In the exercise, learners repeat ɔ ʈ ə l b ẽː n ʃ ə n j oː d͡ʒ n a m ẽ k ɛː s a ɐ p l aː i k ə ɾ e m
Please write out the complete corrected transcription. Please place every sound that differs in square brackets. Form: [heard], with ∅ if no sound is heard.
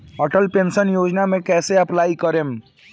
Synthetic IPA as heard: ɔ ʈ ə l [p] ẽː n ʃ ə n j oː d͡ʒ n a m ẽ k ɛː s [e] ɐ p l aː i k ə ɾ e m